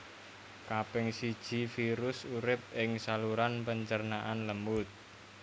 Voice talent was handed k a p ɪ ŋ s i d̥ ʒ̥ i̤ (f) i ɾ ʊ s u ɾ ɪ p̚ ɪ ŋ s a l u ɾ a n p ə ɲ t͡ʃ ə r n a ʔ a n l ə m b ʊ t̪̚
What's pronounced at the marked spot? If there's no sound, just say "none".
f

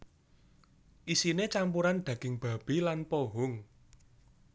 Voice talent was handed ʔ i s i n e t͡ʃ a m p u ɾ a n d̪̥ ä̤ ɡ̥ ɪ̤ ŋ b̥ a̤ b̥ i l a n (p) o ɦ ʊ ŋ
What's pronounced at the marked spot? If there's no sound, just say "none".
p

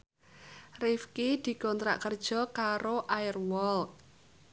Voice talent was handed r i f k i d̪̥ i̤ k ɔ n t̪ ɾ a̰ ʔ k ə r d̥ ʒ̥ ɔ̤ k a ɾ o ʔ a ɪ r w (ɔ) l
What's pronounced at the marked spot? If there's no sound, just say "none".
ɔ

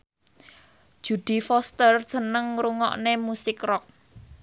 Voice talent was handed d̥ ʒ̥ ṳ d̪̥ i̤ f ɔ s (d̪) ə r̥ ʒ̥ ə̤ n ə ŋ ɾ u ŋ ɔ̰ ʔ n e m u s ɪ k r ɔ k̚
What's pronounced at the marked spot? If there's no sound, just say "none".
t̪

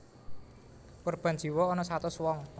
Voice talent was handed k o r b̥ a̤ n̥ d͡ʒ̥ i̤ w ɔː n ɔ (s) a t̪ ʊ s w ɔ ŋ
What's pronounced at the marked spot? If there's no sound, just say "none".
s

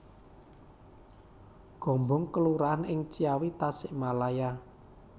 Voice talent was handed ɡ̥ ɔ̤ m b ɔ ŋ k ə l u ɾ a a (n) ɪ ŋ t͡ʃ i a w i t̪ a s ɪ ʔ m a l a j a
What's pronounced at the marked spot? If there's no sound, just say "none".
n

